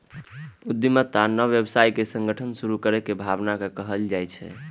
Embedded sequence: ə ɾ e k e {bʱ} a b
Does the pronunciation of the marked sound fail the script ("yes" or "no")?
no